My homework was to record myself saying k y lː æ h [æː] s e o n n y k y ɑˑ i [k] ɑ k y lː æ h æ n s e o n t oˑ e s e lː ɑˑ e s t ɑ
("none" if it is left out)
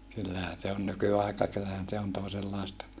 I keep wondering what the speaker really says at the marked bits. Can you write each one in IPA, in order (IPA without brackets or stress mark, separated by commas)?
æ, k